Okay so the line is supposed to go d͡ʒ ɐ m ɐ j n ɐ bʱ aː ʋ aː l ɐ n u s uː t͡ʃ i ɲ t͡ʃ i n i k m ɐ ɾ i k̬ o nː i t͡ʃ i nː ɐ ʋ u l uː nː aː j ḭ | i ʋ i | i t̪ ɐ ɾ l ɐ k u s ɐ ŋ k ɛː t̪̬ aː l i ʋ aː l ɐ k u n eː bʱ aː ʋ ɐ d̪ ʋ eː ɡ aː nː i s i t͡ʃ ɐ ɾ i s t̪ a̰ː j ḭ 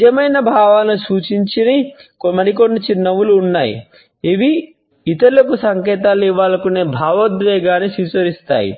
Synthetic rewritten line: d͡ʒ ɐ m ɐ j n ɐ bʱ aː ʋ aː l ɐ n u s uː t͡ʃ i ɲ t͡ʃ i n i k m ɐ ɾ i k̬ o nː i t͡ʃ i nː ɐ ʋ u l uː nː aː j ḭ | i ʋ i | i t̪ ɐ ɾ l ɐ k u s ɐ ŋ k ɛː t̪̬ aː l i ʋ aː l ɐ k u n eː bʱ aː ʋ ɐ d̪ ʋ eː ɡ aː n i s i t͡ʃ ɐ ɾ i s t̪ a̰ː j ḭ